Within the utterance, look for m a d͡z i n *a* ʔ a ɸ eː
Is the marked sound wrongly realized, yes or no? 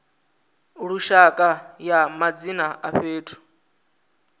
no